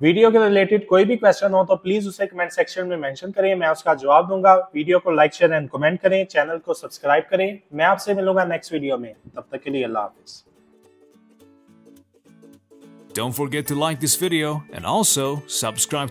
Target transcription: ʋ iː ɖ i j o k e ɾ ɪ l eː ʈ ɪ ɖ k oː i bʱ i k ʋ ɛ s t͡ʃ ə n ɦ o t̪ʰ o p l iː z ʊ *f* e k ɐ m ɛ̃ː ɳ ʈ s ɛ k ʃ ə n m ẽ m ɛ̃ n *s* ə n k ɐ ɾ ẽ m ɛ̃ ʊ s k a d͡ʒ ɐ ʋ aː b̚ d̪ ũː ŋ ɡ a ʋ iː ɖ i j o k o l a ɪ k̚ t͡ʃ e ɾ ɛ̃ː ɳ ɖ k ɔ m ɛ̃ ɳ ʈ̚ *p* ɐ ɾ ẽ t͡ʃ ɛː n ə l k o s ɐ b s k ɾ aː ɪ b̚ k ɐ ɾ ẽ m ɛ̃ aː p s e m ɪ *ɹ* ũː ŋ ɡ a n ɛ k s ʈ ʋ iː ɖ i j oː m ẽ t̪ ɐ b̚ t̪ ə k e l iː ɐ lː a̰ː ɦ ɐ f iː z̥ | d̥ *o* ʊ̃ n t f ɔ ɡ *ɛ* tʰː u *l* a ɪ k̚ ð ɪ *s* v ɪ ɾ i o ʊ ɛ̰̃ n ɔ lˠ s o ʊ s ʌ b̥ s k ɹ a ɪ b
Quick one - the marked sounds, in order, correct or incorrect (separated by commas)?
incorrect, incorrect, incorrect, incorrect, incorrect, correct, correct, correct